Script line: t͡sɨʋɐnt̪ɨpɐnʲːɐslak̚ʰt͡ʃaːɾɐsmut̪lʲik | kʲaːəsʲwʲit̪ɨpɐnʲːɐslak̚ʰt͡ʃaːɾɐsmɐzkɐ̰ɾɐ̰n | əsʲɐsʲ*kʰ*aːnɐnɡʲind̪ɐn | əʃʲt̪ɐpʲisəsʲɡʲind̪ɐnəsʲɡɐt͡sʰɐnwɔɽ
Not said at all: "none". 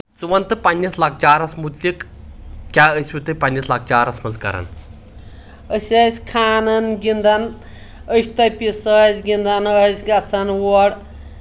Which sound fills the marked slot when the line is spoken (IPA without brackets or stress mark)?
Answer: kʰ